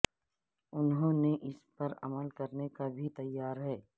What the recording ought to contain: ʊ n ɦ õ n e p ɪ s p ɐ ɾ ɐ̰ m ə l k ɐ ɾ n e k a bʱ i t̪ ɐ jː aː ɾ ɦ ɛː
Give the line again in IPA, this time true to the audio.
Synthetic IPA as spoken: ʊ n ɦ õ n e ʔ ɪ s p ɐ ɾ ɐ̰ m ə l k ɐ ɾ n e k a bʱ i t̪ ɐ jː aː ɾ ɦ ɛː